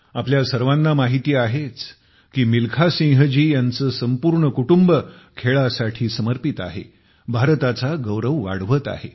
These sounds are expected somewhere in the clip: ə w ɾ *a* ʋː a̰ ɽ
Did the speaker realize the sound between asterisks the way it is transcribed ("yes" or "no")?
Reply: no